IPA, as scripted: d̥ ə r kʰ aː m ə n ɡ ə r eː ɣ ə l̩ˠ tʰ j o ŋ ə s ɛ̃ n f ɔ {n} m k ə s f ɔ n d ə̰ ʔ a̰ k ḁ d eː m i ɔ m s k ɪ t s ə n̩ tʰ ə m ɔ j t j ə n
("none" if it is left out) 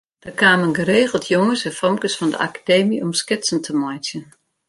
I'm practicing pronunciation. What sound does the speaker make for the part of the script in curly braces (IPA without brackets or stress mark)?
none